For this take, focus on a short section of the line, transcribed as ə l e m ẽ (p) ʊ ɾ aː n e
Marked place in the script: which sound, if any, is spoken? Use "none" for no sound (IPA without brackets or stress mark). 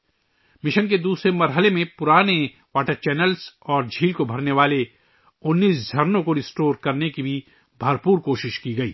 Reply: p